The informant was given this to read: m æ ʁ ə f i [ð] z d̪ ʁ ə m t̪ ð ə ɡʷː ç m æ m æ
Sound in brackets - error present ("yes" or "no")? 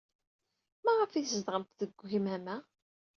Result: yes